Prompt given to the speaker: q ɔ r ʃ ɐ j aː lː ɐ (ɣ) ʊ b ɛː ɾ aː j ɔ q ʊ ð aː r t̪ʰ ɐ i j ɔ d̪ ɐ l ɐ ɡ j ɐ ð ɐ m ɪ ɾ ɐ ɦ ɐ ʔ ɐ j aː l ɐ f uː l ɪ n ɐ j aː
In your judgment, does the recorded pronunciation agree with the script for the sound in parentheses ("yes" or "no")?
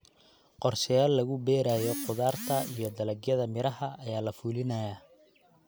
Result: yes